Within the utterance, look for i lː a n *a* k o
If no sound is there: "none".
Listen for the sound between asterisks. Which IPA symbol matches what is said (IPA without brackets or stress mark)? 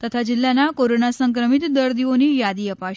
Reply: a